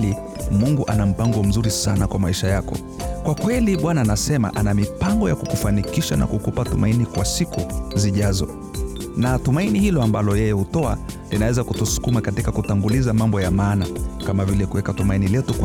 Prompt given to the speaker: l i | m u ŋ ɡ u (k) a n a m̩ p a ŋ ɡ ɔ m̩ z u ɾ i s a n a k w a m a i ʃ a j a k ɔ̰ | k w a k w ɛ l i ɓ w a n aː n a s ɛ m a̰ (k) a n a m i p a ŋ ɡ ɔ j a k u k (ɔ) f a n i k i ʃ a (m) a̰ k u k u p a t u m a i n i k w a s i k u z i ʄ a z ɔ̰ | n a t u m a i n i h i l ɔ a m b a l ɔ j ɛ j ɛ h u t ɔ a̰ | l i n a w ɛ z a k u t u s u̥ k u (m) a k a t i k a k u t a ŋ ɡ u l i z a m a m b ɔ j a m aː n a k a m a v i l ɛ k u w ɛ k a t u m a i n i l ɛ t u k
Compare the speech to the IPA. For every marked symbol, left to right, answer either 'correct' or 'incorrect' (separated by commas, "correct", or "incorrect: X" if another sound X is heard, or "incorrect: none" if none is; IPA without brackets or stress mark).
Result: incorrect: ʔ, incorrect: ʔ, incorrect: u, incorrect: n, correct